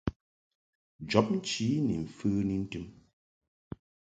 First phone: d͡ʒ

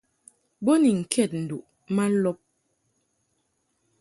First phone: b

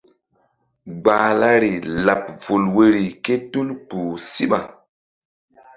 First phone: ɡ͡b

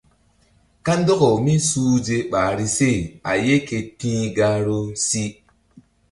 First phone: k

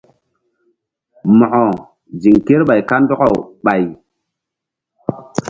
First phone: m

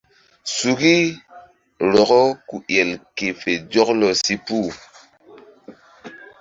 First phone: s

